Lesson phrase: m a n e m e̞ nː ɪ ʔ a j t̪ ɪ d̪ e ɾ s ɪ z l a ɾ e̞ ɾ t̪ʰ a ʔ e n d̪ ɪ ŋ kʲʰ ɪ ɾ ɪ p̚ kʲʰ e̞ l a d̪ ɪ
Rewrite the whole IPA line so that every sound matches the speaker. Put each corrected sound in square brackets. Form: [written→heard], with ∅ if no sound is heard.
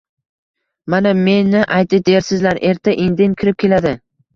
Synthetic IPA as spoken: m a n [e→a] m e̞ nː ɪ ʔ a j t̪ ɪ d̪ e ɾ s ɪ z l a ɾ e̞ ɾ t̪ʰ a ʔ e n d̪ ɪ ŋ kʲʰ ɪ ɾ ɪ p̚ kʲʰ e̞ l a d̪ ɪ